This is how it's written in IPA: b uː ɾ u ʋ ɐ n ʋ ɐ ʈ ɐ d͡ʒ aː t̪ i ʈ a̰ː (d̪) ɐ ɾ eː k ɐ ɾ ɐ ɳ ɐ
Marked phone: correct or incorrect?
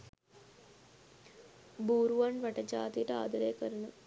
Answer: correct